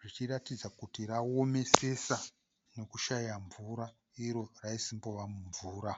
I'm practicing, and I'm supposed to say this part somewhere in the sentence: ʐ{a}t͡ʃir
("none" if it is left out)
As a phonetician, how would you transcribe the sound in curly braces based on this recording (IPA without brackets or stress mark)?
i